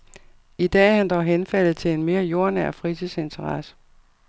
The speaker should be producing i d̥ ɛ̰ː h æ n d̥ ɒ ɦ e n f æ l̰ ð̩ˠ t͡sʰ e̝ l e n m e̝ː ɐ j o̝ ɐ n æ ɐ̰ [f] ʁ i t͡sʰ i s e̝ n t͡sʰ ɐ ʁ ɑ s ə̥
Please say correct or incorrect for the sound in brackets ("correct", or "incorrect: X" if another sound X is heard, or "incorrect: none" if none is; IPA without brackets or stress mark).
correct